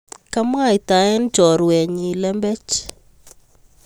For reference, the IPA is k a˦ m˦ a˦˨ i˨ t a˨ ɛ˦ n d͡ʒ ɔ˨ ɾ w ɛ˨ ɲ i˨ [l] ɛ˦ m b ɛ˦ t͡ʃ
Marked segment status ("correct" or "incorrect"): correct